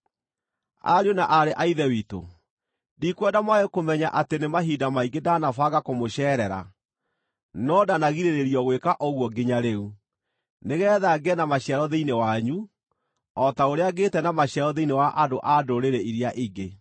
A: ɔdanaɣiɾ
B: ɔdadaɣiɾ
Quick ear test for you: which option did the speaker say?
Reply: A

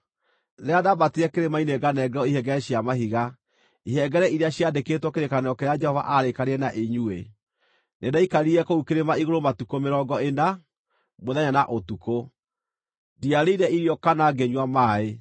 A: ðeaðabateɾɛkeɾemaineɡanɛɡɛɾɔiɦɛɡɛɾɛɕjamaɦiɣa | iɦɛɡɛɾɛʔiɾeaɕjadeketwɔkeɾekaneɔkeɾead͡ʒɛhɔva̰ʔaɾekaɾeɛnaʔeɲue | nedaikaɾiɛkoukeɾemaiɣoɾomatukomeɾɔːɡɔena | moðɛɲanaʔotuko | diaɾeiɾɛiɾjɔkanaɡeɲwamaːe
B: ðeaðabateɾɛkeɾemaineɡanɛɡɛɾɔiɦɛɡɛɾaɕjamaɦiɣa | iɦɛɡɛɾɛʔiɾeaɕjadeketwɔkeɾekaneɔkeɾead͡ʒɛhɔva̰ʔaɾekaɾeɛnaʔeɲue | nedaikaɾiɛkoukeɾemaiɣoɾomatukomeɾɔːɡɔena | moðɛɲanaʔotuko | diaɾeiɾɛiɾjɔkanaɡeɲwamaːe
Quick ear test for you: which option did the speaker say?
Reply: A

